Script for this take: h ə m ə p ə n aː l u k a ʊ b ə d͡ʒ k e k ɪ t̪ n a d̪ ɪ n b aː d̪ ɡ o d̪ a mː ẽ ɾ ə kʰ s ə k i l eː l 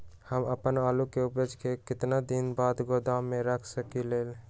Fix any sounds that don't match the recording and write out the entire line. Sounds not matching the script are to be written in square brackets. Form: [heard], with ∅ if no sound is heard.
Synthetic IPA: h ə m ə p ə n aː l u k [e] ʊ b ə d͡ʒ k e k ɪ t̪ n a d̪ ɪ n b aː d̪ ɡ o d̪ a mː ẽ ɾ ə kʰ s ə k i l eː l